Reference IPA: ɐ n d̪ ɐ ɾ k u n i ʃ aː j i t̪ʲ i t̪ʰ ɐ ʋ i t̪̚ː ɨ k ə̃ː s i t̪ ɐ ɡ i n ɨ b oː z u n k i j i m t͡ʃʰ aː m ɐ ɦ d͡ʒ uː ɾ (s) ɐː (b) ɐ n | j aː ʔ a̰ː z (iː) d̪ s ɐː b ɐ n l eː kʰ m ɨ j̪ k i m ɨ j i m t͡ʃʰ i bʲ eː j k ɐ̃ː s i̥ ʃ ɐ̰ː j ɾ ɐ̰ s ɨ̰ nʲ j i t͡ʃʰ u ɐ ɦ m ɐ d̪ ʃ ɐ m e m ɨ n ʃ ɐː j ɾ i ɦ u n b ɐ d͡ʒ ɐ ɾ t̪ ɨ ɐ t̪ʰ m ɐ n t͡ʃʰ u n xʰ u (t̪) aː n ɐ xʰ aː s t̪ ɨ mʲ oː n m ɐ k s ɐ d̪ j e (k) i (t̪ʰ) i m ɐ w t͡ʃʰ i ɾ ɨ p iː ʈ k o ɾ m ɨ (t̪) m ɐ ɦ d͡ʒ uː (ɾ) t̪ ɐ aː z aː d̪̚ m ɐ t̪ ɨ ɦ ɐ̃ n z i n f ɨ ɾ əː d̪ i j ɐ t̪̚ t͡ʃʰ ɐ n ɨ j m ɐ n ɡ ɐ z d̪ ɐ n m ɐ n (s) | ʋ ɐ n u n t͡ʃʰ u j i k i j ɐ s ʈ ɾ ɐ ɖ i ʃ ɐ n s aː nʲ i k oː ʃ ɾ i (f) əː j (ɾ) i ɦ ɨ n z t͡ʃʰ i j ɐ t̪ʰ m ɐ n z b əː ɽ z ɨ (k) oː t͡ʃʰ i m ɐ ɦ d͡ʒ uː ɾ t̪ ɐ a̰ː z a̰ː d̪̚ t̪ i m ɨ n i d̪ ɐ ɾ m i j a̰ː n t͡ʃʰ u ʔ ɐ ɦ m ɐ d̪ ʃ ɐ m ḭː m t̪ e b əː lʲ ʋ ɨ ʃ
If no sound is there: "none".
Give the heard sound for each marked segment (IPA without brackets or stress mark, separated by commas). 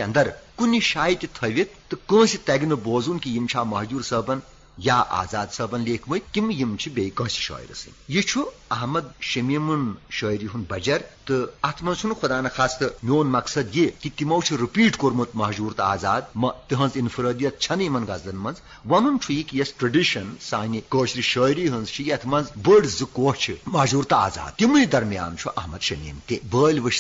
s, b, aː, d̪, k, t̪, t̪, ɾ, z, ʃ, ɾ, k